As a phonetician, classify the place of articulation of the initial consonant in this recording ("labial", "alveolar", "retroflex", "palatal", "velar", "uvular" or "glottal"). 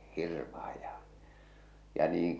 glottal